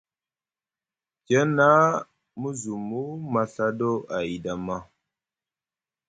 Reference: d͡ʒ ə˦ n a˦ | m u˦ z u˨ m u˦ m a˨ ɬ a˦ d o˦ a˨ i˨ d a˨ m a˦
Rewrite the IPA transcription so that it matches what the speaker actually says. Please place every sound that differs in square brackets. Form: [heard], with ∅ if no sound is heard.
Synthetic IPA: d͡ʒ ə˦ n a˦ | m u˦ z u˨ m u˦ m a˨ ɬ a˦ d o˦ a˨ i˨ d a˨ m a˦